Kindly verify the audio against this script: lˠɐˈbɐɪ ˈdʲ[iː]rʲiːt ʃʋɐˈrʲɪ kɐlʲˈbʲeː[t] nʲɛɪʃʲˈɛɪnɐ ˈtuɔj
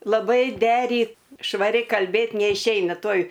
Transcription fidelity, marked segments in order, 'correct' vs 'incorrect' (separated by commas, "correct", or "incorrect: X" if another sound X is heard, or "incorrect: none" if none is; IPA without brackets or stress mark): incorrect: æː, correct